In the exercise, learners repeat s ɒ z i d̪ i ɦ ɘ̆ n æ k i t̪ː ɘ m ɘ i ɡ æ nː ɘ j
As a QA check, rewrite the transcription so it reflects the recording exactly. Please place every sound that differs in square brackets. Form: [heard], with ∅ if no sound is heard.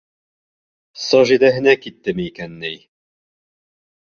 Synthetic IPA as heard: s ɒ [ʒ] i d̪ [æ] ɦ ɘ̆ n æ k i t̪ː ɘ m ɘ i [k] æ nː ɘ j